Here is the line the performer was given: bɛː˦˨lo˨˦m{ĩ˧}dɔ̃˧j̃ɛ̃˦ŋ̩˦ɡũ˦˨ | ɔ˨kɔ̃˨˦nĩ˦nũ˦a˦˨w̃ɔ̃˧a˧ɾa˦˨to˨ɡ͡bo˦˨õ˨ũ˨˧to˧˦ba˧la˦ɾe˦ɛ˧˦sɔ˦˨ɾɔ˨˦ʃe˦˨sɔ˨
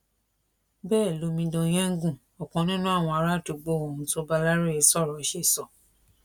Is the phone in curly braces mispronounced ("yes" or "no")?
no